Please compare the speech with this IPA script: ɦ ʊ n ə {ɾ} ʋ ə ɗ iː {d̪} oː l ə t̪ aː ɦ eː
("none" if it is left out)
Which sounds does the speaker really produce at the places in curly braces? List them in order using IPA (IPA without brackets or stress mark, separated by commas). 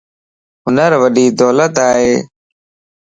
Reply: ɾ, d̪